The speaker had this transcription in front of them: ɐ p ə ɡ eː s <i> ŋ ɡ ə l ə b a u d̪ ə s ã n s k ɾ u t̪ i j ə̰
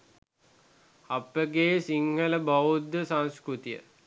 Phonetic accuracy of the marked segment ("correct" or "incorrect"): correct